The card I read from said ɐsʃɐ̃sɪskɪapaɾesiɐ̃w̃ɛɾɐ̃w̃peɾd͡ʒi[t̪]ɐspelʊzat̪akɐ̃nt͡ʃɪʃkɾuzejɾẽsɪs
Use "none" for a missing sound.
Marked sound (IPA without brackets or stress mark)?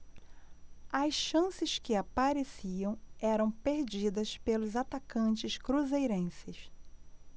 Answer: d̪